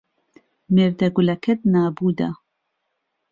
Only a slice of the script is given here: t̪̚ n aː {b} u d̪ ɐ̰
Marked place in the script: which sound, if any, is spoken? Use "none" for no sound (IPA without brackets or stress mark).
b